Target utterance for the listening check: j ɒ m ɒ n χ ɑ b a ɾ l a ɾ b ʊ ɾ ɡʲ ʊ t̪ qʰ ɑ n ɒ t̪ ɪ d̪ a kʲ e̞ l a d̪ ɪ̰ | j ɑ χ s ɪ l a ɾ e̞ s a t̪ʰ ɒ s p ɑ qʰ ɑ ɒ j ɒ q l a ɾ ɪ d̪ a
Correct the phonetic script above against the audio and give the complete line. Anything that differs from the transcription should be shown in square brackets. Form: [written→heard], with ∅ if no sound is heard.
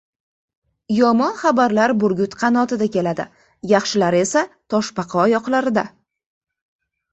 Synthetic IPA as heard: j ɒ m ɒ n χ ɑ b a ɾ l a ɾ b ʊ ɾ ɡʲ ʊ t̪ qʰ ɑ n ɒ t̪ ɪ d̪ a kʲ e̞ l a d̪ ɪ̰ | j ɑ χ [s→ʃ] ɪ l a ɾ e̞ s a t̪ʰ ɒ [s→ʃ] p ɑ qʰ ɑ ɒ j ɒ q l a ɾ ɪ d̪ a